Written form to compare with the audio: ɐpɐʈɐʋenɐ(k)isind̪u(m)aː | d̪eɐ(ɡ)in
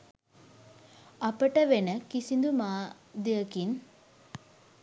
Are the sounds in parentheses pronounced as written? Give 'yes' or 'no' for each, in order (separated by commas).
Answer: yes, yes, no